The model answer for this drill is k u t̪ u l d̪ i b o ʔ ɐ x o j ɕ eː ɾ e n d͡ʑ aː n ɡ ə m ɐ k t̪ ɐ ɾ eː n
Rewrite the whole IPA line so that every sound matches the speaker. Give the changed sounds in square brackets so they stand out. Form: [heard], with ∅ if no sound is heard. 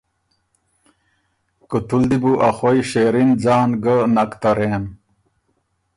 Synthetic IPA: k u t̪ u l d̪ i b [u] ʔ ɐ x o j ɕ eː ɾ [i] n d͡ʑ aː n ɡ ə [n] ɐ k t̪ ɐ ɾ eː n